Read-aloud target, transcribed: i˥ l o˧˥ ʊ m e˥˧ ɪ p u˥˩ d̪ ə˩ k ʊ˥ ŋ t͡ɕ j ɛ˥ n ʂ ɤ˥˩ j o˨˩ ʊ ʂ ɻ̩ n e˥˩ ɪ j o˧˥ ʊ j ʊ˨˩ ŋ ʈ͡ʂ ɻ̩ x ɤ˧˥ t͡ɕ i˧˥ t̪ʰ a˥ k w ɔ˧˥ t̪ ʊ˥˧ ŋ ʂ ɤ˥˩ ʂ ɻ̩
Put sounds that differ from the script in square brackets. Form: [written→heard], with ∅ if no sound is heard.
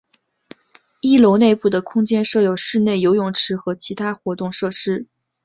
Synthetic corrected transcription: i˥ l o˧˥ ʊ [m→n] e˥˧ ɪ p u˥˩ d̪ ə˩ [k→kʰ] ʊ˥ ŋ t͡ɕ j ɛ˥ n ʂ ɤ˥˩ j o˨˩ ʊ ʂ ɻ̩ n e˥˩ ɪ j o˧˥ ʊ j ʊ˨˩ ŋ [ʈ͡ʂ→ʈ͡ʂʰ] ɻ̩ x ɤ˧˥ [t͡ɕ→t͡ɕʰ] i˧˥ t̪ʰ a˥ [k→x] w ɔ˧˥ t̪ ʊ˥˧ ŋ ʂ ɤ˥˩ ʂ ɻ̩